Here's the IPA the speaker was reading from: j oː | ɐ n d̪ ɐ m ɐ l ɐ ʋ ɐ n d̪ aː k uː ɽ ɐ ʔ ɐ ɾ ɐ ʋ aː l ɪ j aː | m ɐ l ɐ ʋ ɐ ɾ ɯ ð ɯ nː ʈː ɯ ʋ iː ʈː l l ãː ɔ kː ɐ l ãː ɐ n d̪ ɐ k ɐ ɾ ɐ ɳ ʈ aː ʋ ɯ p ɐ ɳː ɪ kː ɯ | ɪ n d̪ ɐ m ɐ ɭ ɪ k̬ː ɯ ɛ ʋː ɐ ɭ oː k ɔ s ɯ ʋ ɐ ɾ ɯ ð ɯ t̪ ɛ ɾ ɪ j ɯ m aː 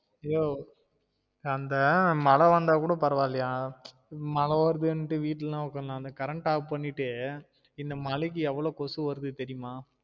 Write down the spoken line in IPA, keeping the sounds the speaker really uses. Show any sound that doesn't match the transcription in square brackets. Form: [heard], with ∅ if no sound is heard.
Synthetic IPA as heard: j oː | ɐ n d̪ ɐ m ɐ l ɐ ʋ ɐ n d̪ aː k uː ɽ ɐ [p] ɐ ɾ ɐ ʋ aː l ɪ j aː | m ɐ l ɐ ʋ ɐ ɾ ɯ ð ɯ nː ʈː ɯ ʋ iː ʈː l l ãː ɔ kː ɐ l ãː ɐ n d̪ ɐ k ɐ ɾ ɐ ɳ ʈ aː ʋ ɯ p ɐ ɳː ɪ [ʈː] ɯ | ɪ n d̪ ɐ m ɐ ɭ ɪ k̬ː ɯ ɛ ʋː ɐ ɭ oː k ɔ s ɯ ʋ ɐ ɾ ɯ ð ɯ t̪ ɛ ɾ ɪ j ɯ m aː